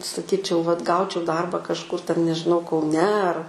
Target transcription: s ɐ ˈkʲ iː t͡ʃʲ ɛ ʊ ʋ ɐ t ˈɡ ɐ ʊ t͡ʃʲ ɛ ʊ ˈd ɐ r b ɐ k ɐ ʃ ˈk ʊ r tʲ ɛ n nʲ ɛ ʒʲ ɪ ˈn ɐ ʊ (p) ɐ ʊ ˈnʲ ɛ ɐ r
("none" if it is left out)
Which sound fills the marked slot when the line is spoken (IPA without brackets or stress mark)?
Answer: k